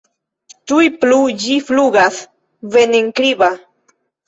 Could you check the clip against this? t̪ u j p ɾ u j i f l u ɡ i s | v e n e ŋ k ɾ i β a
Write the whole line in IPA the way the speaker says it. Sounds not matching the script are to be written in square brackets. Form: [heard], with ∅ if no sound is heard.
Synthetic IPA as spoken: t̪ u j p [l] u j i f l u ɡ [a] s | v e n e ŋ k ɾ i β a